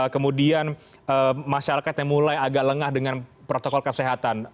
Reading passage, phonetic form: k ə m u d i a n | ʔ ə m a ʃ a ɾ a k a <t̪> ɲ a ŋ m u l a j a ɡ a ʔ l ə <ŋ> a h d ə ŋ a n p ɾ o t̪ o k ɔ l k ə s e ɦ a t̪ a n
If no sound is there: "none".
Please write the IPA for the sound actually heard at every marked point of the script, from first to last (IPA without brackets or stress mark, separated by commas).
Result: t̪, ŋ